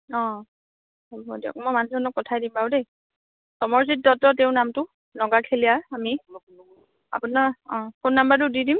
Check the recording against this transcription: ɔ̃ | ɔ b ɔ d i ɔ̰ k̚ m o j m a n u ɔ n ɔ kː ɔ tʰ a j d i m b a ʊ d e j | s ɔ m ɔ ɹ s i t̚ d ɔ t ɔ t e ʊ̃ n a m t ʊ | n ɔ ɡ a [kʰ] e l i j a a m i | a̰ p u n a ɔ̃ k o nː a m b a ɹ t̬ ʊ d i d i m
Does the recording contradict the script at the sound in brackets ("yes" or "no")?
no